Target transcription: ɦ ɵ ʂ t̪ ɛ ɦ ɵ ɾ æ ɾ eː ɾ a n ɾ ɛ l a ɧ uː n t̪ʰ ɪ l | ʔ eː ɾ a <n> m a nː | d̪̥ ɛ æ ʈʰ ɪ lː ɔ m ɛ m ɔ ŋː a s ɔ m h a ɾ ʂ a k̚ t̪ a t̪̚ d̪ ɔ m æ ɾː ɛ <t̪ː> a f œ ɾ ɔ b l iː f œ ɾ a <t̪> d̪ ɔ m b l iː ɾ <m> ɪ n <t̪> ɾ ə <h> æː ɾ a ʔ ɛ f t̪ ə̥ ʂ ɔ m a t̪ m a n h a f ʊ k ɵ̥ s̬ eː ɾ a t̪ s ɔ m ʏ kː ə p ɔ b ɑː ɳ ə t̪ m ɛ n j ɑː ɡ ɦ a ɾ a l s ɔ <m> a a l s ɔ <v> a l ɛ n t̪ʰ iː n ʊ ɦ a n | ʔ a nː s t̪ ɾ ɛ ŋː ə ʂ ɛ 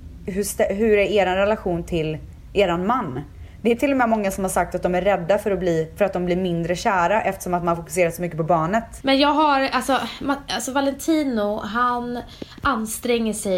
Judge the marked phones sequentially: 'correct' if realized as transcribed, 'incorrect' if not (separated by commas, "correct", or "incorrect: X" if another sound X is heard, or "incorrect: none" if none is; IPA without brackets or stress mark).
correct, incorrect: d̪ː, correct, correct, incorrect: d̪, incorrect: ɕ, correct, correct